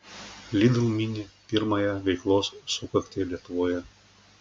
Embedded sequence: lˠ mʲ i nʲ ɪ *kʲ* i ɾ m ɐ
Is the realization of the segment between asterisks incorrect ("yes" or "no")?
yes